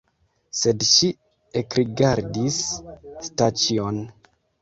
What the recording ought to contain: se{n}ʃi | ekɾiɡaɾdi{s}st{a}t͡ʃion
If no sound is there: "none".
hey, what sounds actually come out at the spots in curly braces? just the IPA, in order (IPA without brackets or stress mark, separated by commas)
d, s, a